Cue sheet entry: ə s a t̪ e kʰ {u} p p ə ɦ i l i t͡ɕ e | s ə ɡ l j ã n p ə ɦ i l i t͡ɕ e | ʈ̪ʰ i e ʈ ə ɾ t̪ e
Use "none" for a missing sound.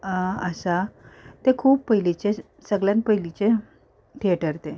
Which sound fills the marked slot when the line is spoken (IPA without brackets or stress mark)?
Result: uː